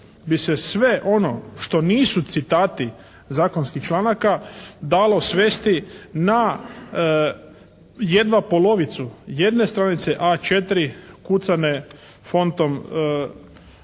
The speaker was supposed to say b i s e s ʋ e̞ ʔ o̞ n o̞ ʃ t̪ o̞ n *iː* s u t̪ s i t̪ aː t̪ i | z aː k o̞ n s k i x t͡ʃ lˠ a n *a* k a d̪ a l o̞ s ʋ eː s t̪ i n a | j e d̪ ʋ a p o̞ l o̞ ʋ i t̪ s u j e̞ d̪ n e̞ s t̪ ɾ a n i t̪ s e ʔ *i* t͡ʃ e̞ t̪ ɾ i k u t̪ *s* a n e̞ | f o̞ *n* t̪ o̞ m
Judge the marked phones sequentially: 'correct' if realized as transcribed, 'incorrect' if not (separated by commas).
correct, correct, incorrect, correct, correct